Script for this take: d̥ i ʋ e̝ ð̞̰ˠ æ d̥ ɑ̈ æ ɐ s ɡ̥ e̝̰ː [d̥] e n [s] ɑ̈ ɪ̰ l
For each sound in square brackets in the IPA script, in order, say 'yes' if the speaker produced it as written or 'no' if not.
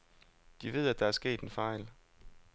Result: yes, no

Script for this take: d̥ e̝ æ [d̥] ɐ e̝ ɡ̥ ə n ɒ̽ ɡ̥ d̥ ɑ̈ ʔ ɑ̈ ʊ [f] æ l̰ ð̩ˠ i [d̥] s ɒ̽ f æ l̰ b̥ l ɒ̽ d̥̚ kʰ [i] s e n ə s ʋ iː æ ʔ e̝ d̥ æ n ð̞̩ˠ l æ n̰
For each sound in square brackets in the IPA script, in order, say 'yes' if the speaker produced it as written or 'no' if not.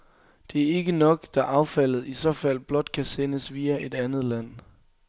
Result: no, yes, no, no

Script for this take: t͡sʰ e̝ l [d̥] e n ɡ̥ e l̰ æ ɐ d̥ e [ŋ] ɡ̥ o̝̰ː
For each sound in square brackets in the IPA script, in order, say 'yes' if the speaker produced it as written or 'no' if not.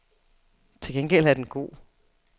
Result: no, no

